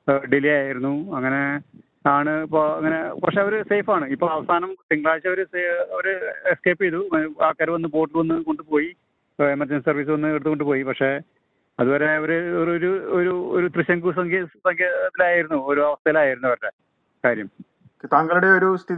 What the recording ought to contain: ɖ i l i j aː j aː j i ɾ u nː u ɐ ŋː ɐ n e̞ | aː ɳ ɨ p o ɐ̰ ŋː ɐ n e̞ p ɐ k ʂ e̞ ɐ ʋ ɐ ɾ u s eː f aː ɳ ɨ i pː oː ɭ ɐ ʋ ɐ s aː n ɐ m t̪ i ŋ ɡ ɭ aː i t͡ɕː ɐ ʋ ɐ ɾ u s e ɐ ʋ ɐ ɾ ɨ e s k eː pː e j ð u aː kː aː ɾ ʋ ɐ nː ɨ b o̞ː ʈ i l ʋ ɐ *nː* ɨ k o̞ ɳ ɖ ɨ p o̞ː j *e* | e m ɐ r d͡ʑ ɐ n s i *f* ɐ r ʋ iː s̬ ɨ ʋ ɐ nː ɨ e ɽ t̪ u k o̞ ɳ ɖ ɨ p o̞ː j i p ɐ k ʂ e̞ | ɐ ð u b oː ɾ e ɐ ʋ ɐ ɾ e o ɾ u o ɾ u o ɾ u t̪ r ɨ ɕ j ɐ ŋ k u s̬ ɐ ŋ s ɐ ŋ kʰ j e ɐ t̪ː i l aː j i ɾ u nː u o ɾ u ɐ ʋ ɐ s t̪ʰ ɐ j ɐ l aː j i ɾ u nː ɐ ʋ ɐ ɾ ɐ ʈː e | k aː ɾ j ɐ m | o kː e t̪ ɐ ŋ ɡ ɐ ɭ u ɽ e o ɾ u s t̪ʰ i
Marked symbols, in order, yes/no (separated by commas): yes, no, no